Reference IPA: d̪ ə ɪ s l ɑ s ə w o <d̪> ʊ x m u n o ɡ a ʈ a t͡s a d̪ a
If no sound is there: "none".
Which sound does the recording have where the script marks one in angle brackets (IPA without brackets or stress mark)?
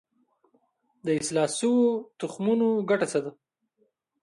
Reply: t̪